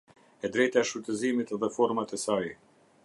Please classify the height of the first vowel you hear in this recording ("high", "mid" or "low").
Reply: mid